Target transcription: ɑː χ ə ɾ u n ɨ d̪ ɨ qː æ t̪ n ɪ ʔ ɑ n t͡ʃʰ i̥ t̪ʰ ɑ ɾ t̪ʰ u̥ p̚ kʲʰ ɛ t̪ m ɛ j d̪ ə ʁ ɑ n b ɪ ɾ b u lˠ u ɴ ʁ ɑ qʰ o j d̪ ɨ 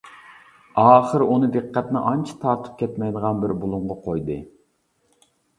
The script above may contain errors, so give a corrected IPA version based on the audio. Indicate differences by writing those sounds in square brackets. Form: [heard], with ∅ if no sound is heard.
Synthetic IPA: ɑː χ ə ɾ u n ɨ d̪ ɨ qː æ t̪ n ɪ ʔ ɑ n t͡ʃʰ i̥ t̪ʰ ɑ ɾ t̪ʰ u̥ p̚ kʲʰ ɛ t̪ m ɛ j d̪ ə ʁ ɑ n b ɪ ɾ b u lˠ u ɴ ʁ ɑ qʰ o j d̪ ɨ